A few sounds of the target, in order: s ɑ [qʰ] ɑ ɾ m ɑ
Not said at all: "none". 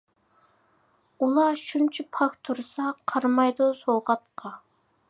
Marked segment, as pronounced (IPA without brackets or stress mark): qʰ